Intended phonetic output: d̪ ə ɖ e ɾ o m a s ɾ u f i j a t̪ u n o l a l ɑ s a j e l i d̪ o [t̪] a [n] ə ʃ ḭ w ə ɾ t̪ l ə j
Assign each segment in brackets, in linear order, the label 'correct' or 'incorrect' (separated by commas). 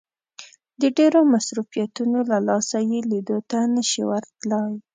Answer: correct, correct